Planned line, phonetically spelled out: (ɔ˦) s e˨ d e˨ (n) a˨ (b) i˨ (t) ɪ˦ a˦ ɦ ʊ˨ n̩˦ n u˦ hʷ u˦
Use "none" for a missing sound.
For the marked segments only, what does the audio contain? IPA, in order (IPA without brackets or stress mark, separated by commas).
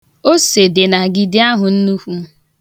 o˦, n, ɡ, d